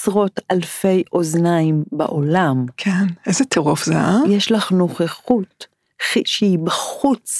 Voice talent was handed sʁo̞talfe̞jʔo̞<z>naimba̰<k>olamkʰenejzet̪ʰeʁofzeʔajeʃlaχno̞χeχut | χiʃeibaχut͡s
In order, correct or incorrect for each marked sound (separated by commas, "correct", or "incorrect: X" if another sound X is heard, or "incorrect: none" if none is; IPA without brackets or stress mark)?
correct, incorrect: ʔ